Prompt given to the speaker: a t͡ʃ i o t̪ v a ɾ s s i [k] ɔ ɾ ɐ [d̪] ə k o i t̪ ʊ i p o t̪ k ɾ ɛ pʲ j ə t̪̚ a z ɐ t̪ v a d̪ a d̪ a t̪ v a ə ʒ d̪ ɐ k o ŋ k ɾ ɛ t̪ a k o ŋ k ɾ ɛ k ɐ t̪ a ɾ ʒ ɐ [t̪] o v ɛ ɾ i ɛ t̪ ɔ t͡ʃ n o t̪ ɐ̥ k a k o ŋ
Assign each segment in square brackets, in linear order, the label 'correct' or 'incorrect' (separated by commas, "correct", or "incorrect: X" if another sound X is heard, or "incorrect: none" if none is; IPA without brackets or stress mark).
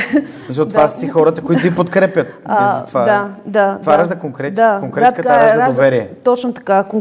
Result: incorrect: x, incorrect: t̪, incorrect: d̪